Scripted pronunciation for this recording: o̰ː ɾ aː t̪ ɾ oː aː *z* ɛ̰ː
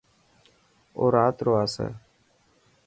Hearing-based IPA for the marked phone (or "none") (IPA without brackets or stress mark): s